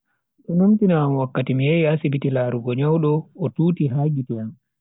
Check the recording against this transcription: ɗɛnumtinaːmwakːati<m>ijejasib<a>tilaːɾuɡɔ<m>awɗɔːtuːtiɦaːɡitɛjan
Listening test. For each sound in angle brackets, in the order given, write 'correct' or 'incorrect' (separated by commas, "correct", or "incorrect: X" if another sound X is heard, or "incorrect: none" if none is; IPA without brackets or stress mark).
correct, incorrect: i, incorrect: ɲ